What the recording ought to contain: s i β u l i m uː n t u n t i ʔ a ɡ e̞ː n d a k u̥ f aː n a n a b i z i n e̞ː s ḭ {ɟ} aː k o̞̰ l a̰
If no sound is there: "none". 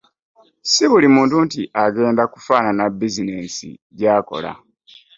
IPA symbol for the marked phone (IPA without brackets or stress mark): ɟ